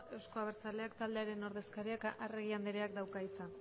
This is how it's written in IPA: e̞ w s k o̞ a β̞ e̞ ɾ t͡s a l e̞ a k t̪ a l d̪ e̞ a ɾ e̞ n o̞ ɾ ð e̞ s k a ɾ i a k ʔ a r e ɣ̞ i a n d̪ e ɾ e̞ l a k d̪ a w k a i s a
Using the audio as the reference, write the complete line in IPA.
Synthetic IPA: e̞ w s k o̞ a β̞ e̞ ɾ t͡s a l e̞ a k t̪ a l d̪ e̞ a ɾ e̞ n o̞ ɾ ð e̞ s k a ɾ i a k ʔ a r e ɣ̞ i a n d̪ e ɾ e̞ a k d̪ a w k a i t͡s a